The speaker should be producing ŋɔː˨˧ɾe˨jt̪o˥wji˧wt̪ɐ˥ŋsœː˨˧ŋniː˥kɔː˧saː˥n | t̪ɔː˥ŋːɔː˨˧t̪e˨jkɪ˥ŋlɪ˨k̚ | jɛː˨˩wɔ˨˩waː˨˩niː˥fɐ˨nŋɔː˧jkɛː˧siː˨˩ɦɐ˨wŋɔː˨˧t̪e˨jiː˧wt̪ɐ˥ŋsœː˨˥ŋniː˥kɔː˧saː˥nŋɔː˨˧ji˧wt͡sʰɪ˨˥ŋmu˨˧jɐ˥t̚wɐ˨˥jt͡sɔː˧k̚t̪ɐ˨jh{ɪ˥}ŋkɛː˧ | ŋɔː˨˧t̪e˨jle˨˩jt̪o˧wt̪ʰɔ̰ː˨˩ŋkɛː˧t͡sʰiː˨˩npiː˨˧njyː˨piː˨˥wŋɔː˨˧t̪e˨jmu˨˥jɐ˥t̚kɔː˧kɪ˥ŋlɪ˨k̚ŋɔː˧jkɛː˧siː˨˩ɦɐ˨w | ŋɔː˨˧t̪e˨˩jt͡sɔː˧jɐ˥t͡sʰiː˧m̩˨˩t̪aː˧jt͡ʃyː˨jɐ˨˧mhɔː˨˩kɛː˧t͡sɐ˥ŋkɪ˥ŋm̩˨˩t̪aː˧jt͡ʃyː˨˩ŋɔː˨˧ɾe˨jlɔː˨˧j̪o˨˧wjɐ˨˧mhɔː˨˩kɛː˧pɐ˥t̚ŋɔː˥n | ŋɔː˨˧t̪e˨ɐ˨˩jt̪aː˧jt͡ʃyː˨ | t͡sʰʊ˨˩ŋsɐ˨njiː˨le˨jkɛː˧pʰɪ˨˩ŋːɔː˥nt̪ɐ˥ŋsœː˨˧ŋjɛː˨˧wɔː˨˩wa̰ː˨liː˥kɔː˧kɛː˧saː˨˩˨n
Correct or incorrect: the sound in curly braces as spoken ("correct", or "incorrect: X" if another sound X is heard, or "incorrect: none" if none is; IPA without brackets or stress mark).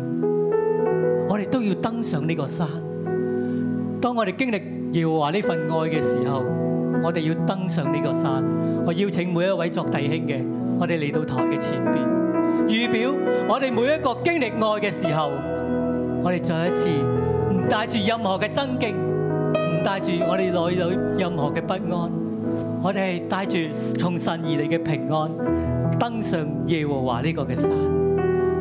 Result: correct